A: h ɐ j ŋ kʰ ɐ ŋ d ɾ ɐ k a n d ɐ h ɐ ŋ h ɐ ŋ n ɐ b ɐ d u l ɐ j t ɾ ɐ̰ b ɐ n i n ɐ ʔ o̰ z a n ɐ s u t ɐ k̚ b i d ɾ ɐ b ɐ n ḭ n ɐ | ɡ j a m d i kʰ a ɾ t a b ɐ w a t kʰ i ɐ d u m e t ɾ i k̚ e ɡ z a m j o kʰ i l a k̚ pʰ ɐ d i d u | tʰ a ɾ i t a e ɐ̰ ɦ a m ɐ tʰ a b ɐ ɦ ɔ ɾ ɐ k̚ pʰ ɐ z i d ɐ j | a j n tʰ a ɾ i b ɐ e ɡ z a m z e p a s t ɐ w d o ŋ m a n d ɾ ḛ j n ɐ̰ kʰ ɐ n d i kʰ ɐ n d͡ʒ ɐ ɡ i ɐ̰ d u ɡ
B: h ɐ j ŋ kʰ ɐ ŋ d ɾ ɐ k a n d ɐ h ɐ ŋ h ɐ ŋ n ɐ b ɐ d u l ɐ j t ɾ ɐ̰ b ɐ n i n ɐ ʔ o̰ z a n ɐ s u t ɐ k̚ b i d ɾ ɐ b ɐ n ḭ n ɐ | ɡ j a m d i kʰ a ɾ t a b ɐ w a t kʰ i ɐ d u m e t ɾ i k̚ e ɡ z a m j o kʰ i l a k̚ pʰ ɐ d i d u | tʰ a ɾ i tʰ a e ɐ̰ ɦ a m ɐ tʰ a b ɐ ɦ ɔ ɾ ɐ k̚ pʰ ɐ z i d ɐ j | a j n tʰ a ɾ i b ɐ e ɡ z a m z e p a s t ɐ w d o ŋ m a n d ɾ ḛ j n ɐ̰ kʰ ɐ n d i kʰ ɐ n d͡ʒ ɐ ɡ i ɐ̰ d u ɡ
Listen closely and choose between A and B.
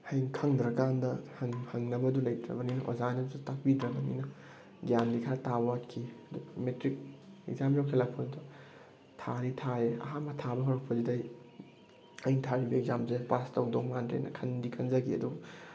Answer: B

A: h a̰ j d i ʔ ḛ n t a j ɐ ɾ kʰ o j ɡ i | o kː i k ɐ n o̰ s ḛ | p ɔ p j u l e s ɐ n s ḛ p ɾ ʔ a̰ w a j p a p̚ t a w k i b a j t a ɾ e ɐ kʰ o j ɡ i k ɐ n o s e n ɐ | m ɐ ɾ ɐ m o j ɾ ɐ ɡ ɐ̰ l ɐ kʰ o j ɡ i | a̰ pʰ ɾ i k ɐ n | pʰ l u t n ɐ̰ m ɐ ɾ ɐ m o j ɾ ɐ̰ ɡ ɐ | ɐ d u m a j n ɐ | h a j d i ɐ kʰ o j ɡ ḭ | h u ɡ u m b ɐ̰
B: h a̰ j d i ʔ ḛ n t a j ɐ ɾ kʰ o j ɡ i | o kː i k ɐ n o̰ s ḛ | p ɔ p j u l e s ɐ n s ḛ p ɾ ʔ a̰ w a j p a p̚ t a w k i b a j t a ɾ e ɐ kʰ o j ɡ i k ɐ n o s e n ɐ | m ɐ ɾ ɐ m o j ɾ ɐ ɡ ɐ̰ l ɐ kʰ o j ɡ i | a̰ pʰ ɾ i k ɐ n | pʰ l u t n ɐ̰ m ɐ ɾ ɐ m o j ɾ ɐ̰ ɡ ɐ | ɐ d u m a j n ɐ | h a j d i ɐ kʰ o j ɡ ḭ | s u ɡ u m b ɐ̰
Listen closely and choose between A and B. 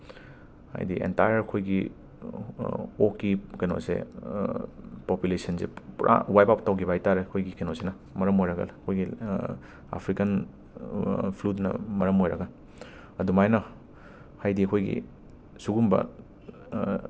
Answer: B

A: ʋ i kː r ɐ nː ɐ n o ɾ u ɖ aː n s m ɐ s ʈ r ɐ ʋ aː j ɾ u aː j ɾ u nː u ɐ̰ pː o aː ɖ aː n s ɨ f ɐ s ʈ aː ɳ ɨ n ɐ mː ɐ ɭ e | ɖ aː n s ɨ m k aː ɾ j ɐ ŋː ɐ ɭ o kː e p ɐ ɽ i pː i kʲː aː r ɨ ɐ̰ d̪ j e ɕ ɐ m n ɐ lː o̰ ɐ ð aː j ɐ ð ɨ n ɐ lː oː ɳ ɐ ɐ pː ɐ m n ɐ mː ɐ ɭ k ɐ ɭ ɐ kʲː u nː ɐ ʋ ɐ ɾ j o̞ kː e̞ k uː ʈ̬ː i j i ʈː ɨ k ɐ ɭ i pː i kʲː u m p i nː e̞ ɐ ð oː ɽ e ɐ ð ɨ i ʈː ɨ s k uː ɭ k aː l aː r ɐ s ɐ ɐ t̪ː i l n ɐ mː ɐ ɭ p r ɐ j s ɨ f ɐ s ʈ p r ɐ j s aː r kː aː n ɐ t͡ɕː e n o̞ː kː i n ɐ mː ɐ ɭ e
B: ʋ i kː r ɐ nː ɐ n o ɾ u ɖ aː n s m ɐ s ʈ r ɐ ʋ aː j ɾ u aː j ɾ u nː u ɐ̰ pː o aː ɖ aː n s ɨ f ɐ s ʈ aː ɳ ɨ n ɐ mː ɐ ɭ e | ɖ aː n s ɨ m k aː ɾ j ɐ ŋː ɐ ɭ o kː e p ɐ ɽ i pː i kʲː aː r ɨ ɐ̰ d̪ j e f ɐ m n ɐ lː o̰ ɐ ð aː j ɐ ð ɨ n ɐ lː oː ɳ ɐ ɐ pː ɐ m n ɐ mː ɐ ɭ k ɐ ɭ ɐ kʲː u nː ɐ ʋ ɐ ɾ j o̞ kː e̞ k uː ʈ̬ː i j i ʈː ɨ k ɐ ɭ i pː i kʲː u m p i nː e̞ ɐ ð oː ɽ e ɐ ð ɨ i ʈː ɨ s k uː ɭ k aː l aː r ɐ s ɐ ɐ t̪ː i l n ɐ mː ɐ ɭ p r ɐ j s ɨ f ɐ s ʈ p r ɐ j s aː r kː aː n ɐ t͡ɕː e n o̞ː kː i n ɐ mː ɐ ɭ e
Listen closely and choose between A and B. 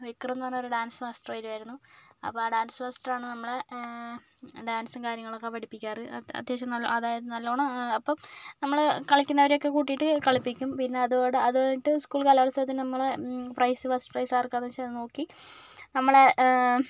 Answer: A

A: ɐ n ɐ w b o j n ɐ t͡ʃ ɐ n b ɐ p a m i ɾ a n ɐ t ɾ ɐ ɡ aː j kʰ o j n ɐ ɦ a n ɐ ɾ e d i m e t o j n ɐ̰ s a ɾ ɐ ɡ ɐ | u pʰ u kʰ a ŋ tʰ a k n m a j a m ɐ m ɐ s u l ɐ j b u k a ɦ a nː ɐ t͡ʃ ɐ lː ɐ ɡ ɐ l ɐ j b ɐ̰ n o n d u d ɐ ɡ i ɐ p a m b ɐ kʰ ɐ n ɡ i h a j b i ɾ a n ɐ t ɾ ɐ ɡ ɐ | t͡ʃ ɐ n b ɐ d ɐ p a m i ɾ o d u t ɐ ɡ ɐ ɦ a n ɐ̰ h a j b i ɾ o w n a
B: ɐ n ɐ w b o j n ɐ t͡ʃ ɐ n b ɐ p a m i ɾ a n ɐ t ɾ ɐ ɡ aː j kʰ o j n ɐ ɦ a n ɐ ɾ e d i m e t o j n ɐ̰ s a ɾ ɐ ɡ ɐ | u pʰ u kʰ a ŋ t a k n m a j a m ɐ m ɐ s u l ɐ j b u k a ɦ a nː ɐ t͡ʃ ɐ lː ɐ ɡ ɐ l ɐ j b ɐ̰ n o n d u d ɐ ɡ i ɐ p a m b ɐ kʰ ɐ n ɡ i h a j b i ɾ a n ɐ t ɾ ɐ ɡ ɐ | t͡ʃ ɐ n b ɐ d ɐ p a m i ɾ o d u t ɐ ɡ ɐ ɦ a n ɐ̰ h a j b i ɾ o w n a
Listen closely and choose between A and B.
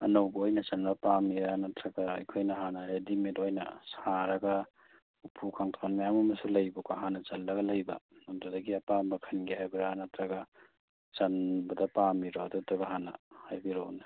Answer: A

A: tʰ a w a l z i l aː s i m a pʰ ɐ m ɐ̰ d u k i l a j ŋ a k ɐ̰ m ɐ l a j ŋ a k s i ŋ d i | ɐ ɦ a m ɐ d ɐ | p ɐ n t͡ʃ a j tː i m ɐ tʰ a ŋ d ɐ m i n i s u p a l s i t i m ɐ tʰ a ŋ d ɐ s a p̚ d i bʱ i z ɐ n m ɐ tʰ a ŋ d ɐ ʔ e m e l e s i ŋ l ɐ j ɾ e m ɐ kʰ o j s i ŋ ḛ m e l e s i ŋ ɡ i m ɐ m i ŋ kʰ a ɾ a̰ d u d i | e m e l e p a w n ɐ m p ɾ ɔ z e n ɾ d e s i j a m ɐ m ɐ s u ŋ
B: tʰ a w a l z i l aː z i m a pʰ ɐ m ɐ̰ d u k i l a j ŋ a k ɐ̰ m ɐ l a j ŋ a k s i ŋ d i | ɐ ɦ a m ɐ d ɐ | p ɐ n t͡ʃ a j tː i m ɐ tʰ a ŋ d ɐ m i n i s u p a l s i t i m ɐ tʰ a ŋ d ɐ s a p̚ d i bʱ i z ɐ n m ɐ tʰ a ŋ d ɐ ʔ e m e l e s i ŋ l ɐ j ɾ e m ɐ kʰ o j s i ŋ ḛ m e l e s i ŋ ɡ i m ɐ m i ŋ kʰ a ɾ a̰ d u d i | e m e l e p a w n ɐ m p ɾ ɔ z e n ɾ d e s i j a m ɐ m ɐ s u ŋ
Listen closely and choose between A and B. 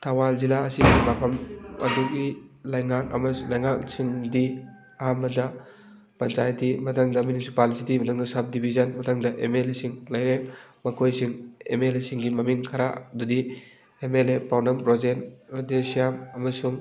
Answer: A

